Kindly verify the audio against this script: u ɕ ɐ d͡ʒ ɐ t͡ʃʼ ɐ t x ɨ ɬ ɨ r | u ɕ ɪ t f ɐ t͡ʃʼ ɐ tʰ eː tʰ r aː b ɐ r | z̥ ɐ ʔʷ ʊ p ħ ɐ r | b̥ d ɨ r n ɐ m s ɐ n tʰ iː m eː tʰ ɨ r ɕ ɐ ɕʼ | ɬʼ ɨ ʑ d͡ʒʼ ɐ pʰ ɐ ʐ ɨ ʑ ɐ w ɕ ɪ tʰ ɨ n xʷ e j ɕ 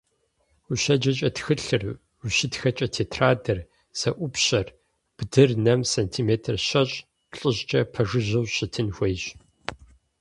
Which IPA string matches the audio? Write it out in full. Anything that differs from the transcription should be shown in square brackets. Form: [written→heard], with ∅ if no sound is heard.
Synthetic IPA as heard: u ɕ ɐ d͡ʒ ɐ t͡ʃʼ ɐ t x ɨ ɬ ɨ r | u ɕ ɪ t [f→x] ɐ t͡ʃʼ ɐ tʰ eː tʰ r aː [b→d] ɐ r | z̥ ɐ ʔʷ ʊ p [ħ→ɕ] ɐ r | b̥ d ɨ r n ɐ m s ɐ n tʰ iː m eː tʰ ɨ r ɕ ɐ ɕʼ | ɬʼ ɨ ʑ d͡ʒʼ ɐ pʰ ɐ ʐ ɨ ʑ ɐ w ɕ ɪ tʰ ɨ n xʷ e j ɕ